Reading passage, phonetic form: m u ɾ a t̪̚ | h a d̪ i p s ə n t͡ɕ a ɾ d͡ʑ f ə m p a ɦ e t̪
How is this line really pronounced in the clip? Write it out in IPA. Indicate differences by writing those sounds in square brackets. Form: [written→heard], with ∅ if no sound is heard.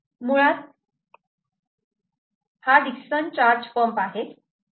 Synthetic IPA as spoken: m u [ɾ→ɭ] a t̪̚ | h a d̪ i [p→k] s ə n t͡ɕ a ɾ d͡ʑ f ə m p a ɦ e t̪